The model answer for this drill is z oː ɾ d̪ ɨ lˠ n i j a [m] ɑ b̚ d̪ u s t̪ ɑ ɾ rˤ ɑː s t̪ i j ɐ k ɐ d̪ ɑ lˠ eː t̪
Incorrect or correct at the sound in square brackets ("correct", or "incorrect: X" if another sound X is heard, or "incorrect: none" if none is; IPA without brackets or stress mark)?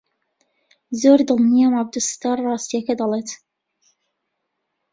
correct